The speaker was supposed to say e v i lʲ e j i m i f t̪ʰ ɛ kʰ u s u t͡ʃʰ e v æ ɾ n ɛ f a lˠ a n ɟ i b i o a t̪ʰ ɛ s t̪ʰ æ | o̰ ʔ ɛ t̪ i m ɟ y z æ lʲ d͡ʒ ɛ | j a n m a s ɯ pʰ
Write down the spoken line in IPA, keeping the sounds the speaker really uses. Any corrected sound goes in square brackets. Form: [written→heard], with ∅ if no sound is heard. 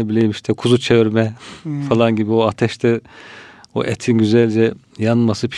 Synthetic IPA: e [v→b] i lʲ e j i m i [f→ʃ] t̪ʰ ɛ kʰ u [s→z] u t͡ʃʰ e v [æ→i] ɾ [n→m] ɛ f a lˠ a n ɟ i b i o a t̪ʰ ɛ [s→ʃ] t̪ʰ [æ→ɛ] | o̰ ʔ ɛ [t̪→t̪ʰ] i [m→n] ɟ y z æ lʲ d͡ʒ ɛ | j a n m a s ɯ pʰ